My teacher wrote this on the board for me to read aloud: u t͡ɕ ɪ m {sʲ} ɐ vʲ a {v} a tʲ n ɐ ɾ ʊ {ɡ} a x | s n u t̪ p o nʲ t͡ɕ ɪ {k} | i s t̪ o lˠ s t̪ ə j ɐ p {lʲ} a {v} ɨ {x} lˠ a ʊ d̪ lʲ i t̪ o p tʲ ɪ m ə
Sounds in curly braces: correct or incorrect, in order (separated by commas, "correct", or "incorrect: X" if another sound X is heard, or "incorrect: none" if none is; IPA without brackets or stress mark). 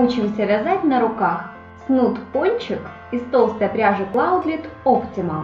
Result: correct, incorrect: z, incorrect: k, correct, incorrect: ɾʲ, incorrect: ʐ, incorrect: k